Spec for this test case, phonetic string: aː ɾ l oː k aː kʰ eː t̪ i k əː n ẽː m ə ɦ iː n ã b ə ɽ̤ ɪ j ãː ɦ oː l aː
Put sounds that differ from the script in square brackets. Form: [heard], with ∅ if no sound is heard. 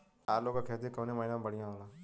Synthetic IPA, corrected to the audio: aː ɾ l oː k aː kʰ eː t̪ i k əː n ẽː m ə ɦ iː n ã b ə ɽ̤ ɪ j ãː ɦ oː l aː